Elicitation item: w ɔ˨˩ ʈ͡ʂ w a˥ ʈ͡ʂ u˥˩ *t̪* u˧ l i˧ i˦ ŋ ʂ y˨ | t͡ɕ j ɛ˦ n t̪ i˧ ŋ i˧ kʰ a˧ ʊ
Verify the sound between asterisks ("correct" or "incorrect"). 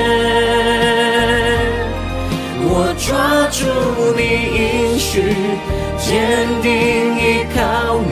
incorrect